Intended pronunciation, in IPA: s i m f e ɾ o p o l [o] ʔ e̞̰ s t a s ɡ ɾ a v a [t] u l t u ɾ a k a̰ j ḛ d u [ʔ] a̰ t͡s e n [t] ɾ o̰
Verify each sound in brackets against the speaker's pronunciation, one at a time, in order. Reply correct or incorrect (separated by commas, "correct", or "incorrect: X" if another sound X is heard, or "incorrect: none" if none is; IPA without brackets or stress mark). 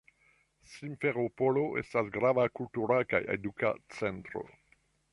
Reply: correct, incorrect: k, incorrect: k, correct